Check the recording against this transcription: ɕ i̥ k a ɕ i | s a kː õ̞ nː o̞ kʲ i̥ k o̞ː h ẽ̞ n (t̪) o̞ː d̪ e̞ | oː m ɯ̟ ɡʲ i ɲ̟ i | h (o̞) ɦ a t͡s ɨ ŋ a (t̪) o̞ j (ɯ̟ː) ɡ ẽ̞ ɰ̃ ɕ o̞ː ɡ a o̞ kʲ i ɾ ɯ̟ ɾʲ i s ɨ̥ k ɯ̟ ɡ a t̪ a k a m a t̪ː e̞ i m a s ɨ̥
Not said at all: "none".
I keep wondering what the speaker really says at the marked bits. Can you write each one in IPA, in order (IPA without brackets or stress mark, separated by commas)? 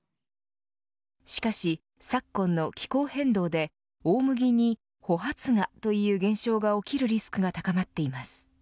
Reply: d̪, o̞, t̪, ɯ̟ː